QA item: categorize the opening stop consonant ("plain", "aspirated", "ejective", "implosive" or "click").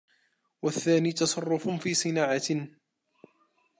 plain